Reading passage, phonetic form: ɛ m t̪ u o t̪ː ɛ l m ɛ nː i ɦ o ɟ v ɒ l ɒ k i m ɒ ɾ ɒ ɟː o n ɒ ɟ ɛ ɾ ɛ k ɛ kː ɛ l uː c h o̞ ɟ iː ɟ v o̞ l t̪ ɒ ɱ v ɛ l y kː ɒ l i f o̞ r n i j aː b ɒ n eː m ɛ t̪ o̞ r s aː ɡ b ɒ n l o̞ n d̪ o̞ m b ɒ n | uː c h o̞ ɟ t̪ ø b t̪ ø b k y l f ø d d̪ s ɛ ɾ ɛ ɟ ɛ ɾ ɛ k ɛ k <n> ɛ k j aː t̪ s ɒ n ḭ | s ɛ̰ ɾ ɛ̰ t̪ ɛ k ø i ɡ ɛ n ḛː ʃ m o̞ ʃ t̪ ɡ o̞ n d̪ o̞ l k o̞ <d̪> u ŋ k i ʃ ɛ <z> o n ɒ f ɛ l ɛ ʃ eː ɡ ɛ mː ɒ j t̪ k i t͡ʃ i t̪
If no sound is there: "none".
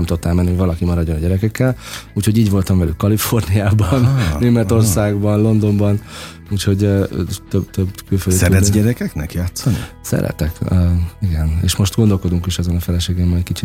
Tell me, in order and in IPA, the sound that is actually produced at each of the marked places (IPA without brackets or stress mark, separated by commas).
n, d̪, z